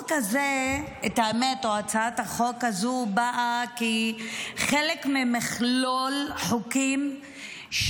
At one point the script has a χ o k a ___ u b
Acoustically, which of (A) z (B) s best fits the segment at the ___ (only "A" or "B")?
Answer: A